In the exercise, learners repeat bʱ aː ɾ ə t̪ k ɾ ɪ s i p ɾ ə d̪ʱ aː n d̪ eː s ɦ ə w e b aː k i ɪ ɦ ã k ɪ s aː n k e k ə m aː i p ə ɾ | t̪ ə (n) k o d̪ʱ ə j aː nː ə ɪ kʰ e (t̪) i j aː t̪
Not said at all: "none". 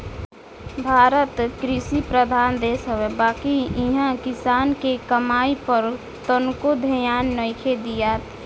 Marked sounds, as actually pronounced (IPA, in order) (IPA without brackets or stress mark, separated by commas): n, d̪